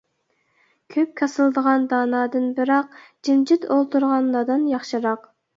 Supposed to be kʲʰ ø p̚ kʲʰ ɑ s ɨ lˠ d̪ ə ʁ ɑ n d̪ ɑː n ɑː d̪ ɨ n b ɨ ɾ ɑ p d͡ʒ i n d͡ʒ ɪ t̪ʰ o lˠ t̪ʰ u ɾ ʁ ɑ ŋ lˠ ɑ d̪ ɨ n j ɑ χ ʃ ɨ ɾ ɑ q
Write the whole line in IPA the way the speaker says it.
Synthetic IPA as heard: kʲʰ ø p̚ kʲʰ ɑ s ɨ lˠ d̪ ə ʁ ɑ n d̪ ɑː n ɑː d̪ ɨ n b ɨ ɾ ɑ q d͡ʒ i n d͡ʒ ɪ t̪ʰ o lˠ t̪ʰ u ɾ ʁ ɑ n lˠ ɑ d̪ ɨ n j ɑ χ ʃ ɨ ɾ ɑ q

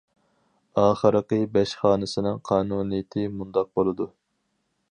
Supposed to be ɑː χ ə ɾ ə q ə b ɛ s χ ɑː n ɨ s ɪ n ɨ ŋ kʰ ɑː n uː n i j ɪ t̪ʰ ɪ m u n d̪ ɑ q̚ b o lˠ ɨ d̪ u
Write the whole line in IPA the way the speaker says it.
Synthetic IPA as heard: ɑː χ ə ɾ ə q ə b ɛ ʃ χ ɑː n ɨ s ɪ n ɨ ŋ qʰ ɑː n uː n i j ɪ t̪ʰ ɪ m u n d̪ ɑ q̚ b o lˠ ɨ d̪ u

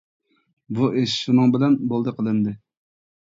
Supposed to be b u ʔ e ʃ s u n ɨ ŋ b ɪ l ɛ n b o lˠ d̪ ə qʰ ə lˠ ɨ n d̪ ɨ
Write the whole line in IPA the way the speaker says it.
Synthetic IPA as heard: b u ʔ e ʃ ʃ u n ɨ ŋ b ɪ l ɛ n b o lˠ d̪ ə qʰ ə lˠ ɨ n d̪ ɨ

